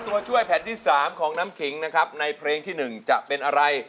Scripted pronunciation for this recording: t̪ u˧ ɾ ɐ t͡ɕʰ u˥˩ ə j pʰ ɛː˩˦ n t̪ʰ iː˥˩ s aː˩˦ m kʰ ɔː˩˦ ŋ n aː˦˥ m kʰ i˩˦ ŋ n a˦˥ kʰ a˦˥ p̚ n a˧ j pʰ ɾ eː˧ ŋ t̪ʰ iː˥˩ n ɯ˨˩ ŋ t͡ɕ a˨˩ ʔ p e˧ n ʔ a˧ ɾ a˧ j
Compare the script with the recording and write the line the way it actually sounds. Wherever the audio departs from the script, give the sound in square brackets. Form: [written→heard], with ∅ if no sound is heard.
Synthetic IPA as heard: t̪ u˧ [ɾ→∅] ɐ t͡ɕʰ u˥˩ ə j pʰ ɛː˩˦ n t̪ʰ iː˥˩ s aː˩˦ m kʰ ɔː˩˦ ŋ n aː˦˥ m kʰ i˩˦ ŋ n a˦˥ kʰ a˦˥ p̚ n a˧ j pʰ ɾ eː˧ ŋ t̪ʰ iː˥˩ n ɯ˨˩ ŋ t͡ɕ a˨˩ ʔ p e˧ n ʔ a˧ ɾ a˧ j